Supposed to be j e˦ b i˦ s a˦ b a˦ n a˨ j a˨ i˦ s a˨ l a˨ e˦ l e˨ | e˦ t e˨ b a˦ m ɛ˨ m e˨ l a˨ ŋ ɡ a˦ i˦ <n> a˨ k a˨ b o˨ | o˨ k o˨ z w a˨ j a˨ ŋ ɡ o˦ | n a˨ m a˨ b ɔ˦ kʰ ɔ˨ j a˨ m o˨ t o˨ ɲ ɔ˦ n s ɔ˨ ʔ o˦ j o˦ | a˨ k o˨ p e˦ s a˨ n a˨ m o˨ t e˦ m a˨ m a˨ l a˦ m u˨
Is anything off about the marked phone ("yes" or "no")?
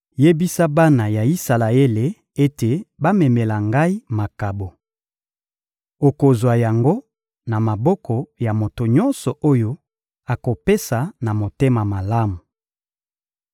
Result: yes